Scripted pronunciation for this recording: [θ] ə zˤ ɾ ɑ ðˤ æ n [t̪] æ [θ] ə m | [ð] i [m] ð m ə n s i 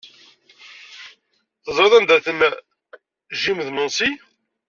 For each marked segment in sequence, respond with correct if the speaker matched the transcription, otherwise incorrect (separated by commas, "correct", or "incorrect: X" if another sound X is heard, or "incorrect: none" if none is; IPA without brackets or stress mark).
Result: correct, incorrect: d̪, correct, incorrect: ʒ, correct